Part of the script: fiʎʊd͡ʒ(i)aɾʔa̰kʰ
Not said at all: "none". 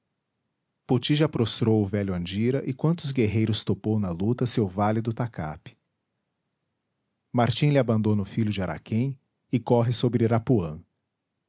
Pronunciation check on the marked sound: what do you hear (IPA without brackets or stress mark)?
ɪ